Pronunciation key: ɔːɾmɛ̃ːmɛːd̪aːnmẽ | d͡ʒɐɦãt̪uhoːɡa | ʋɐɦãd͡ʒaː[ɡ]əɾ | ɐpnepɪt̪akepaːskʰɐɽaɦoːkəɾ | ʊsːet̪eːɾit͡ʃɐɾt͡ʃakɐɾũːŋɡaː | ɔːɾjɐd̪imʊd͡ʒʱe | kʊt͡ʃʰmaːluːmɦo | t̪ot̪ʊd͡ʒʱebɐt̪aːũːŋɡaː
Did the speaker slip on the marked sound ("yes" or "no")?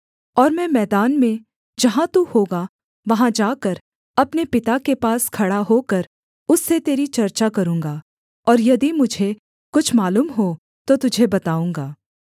yes